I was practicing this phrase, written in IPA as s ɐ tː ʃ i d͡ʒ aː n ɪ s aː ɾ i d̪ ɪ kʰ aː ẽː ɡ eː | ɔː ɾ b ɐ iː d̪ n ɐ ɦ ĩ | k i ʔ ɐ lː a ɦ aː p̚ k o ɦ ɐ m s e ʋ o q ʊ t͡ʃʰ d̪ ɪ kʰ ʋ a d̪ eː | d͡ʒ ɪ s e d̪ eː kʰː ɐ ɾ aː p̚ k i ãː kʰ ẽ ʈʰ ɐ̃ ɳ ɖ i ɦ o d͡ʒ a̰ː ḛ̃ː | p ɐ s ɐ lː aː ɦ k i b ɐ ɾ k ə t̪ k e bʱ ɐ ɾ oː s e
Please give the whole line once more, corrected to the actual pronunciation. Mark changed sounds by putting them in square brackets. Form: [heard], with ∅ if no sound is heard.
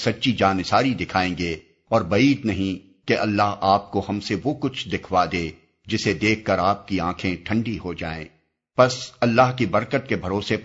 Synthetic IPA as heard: s ɐ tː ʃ i d͡ʒ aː n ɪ s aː ɾ i d̪ ɪ kʰ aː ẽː ɡ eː | ɔː ɾ b ɐ iː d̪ n ɐ ɦ ĩ | k [e] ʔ ɐ lː a ɦ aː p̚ k o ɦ ɐ m s e ʋ o [k] ʊ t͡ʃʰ d̪ ɪ kʰ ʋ a d̪ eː | d͡ʒ ɪ s e d̪ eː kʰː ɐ ɾ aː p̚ k i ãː kʰ ẽ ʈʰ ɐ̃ ɳ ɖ i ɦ o d͡ʒ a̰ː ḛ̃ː | p ɐ s ɐ lː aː ɦ k i b ɐ ɾ k ə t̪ k e bʱ ɐ ɾ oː s e